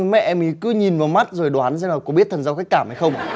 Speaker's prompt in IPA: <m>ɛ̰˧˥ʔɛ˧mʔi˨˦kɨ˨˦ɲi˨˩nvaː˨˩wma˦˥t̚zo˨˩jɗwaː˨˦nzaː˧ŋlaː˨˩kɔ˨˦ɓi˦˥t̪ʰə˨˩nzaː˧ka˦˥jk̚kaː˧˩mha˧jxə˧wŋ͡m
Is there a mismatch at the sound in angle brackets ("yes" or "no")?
no